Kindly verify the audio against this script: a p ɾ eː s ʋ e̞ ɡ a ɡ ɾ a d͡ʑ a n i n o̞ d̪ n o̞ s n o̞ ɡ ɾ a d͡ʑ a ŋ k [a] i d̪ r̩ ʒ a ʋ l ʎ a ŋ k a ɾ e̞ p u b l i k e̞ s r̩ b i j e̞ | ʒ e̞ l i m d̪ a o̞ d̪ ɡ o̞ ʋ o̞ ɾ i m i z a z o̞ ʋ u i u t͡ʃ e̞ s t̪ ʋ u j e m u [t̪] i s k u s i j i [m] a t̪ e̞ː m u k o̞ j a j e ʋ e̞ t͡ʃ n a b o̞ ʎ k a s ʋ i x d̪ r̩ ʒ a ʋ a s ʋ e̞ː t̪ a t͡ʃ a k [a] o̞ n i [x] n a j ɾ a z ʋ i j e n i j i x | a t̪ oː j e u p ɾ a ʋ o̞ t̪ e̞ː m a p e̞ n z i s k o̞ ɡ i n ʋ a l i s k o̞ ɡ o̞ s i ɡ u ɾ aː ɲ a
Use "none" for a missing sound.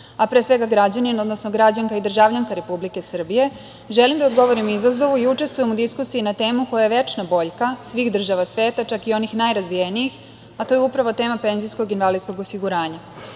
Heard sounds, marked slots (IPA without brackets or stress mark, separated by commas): a, d̪, n, i, x